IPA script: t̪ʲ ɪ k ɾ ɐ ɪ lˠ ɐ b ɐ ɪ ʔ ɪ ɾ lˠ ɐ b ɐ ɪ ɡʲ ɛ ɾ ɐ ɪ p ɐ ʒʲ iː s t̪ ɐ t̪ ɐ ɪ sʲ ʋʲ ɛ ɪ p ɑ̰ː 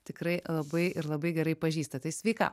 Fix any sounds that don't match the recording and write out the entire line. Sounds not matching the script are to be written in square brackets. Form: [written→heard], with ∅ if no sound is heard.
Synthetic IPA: t̪ʲ ɪ k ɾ ɐ ɪ lˠ ɐ b ɐ ɪ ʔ ɪ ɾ lˠ ɐ b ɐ ɪ ɡʲ ɛ ɾ ɐ ɪ p ɐ ʒʲ iː s t̪ ɐ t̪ ɐ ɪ sʲ ʋʲ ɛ ɪ [p→k] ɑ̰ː